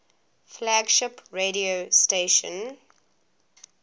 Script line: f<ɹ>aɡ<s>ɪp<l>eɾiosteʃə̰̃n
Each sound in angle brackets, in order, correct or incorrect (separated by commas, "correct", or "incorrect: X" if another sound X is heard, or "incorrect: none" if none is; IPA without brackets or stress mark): incorrect: l, incorrect: ʃ, incorrect: ɹ